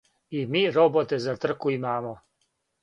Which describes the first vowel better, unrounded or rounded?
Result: unrounded